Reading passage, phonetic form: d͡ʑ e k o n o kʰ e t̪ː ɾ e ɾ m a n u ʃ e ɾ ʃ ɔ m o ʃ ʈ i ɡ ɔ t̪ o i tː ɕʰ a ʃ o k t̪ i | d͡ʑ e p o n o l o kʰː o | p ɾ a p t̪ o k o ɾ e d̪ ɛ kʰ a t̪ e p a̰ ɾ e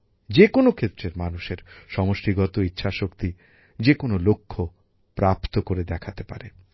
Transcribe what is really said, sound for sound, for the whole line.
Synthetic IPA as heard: d͡ʑ e k o n o kʰ e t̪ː ɾ e ɾ m a n u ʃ e ɾ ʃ ɔ m o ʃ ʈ i ɡ ɔ t̪ o i tː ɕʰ a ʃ o k t̪ i | d͡ʑ e k o n o l o kʰː o | p ɾ a p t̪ o k o ɾ e d̪ ɛ kʰ a t̪ e p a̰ ɾ e